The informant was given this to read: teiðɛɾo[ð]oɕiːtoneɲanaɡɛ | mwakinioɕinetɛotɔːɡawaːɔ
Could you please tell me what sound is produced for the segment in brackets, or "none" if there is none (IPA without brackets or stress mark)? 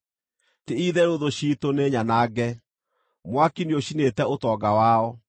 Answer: ð